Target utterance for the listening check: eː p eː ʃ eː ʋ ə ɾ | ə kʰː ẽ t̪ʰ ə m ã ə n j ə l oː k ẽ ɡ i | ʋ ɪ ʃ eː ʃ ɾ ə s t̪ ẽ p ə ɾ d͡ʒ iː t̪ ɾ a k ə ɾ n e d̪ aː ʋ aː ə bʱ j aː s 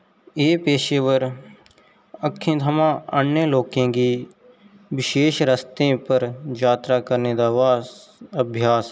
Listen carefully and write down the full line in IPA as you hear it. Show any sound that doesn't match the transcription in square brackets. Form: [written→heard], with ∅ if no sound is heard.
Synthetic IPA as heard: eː p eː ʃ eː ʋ ə ɾ | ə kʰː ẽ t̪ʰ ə m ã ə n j ə l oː k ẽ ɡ i | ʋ ɪ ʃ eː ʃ ɾ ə s t̪ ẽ p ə ɾ d͡ʒ [iː→aː] t̪ ɾ a k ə ɾ n e d̪ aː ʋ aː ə bʱ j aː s